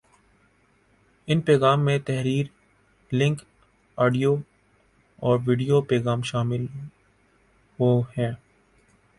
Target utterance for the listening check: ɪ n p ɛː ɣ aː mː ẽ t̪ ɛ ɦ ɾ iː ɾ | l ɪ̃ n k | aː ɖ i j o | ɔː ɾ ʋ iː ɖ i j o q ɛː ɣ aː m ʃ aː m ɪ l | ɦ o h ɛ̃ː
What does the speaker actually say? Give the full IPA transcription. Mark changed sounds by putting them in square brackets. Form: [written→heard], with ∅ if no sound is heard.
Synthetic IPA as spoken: ɪ n p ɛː ɣ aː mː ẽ t̪ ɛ ɦ ɾ iː ɾ | l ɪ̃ [n→ŋ] k | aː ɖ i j o | ɔː ɾ ʋ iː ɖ i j o [q→p] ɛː ɣ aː m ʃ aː m ɪ l | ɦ o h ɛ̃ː